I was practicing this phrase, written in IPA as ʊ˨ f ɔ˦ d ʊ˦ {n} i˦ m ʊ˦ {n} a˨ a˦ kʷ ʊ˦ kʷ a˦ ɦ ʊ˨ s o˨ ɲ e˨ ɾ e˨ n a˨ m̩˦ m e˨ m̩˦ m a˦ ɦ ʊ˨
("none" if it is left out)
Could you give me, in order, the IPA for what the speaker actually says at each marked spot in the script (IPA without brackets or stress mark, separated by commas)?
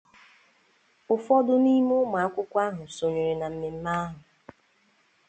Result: n, m